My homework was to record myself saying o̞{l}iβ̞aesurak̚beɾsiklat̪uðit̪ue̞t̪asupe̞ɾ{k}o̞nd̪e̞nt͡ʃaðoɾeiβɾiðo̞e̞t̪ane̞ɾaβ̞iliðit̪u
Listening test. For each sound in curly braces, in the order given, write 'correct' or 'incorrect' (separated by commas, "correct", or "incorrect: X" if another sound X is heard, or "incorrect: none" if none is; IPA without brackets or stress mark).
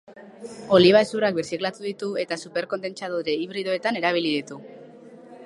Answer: correct, correct